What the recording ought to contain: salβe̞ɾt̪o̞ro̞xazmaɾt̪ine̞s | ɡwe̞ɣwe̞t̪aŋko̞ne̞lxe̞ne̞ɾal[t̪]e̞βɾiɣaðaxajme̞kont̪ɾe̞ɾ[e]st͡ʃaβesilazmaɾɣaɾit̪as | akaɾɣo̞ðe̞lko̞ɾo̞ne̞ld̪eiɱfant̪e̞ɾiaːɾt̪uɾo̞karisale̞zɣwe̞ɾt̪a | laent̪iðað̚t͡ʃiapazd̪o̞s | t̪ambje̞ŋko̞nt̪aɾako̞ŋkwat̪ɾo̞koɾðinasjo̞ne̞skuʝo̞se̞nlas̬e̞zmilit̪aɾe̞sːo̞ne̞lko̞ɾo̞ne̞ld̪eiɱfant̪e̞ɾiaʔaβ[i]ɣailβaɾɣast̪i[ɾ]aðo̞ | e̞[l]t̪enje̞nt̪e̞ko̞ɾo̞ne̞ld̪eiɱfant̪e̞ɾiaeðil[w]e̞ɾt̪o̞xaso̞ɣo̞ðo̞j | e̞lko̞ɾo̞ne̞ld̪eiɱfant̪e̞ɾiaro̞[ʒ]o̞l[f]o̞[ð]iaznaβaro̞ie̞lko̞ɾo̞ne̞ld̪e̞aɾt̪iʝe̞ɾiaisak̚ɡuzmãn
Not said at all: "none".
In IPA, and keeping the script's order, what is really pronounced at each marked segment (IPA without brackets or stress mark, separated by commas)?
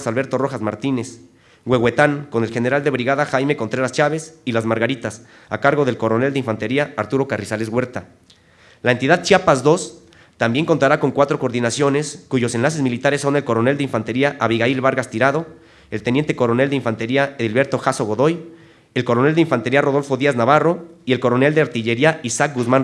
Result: d̪, a, i, ɾ, l, β, ð, f, ð